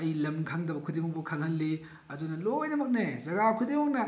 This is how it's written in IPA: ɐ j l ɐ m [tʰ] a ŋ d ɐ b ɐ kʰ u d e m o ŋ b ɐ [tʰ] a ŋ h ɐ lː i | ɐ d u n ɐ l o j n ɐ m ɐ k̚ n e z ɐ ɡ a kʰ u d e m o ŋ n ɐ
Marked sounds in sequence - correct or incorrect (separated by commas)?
incorrect, incorrect